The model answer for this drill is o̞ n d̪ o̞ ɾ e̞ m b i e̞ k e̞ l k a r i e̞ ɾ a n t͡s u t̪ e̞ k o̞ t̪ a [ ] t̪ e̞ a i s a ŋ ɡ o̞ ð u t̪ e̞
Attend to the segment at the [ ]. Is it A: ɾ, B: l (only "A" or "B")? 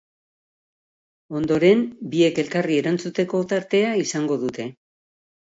A